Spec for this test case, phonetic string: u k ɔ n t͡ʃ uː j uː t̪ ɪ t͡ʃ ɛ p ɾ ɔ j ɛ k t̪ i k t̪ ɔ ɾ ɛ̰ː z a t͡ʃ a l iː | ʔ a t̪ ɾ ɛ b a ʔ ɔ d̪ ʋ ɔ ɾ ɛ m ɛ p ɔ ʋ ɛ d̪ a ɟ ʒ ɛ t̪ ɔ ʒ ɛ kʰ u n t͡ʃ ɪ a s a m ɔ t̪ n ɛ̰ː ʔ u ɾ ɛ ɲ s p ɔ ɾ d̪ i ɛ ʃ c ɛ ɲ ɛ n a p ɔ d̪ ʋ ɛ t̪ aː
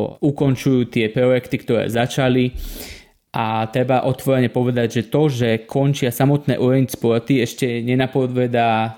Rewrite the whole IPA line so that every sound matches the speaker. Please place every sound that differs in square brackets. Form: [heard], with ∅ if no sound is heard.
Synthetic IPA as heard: u k ɔ n t͡ʃ [u] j uː t̪ ɪ [∅] ɛ p ɾ ɔ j ɛ k t̪ i k t̪ ɔ ɾ ɛ̰ː z a t͡ʃ a l [i] | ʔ a t̪ ɾ ɛ b a ʔ ɔ [t̪] ʋ ɔ ɾ ɛ [ɲ] ɛ p ɔ ʋ ɛ d̪ a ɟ ʒ ɛ t̪ ɔ ʒ ɛ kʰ [ɔ] n t͡ʃ ɪ a s a m ɔ t̪ n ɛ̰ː ʔ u ɾ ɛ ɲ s p ɔ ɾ [t̪] i ɛ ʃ c ɛ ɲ ɛ n a p ɔ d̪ ʋ ɛ [d̪] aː